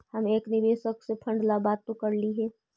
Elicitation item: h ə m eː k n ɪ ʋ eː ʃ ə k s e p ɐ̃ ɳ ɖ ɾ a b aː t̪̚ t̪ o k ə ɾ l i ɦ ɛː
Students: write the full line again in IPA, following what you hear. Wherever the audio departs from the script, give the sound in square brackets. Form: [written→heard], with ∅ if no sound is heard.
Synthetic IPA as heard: h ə m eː k n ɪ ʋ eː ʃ ə k s e [p→pʰ] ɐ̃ ɳ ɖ [ɾ→l] a b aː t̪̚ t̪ o k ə ɾ l i ɦ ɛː